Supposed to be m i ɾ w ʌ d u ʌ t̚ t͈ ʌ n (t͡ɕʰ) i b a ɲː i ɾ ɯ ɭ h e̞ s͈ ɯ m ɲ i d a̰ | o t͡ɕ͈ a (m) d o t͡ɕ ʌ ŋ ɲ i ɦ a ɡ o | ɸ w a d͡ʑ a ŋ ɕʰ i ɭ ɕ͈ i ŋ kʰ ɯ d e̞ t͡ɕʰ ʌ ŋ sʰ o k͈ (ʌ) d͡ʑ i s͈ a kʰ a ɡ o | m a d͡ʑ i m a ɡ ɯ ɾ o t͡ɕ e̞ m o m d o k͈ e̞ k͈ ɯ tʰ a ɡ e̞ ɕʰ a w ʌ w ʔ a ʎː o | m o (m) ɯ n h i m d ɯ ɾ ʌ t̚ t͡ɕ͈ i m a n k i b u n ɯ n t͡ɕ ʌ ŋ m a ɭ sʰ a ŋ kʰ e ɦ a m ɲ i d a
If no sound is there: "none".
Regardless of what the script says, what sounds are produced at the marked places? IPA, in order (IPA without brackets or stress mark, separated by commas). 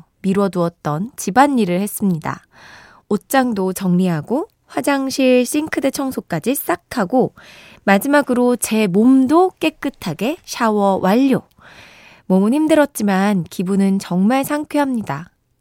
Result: t͡ɕ, ŋ, a, m